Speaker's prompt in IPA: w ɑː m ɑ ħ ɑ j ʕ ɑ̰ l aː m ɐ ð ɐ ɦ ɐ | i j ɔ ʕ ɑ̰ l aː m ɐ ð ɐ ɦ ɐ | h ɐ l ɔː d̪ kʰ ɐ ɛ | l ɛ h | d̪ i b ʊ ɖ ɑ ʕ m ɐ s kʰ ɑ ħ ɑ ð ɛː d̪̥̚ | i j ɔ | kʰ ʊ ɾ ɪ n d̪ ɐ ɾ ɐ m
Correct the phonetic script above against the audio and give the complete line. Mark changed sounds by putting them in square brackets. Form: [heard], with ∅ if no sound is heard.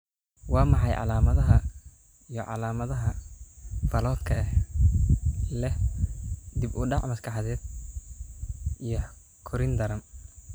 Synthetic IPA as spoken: w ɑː m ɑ ħ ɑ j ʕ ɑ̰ l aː m ɐ ð ɐ ɦ ɐ | i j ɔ ʕ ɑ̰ l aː m ɐ ð ɐ ɦ ɐ | [f] ɐ l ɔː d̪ kʰ ɐ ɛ | l ɛ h | d̪ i b ʊ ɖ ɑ ʕ m ɐ s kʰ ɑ ħ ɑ ð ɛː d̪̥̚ | i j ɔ | kʰ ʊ ɾ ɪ n d̪ ɐ ɾ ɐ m